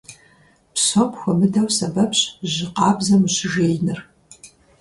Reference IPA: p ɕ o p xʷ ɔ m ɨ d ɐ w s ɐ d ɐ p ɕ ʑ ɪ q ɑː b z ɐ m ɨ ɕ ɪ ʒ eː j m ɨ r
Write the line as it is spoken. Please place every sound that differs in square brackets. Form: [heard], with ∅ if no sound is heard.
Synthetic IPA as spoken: p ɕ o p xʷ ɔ m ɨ d ɐ w s ɐ [b] ɐ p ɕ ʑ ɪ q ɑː b z ɐ m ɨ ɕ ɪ ʒ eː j [n] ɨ r